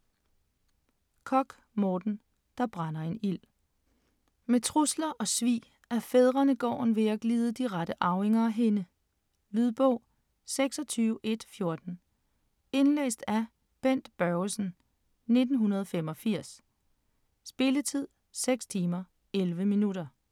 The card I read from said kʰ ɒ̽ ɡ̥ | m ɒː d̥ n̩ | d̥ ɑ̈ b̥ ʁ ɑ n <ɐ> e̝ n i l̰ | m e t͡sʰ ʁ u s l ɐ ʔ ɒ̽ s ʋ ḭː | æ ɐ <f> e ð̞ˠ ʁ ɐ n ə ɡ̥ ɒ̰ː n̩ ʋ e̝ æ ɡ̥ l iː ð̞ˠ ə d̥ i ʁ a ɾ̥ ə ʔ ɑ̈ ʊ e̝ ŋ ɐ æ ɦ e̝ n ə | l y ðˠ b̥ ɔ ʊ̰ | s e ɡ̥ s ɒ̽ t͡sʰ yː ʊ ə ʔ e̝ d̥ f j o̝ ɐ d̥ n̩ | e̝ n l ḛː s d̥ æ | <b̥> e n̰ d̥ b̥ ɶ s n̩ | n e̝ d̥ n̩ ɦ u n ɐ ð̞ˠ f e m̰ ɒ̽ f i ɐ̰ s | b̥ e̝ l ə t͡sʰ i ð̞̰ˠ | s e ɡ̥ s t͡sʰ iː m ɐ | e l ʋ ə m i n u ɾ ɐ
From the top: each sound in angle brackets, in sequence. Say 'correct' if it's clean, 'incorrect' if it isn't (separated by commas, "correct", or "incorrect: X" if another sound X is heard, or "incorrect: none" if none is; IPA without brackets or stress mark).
correct, correct, correct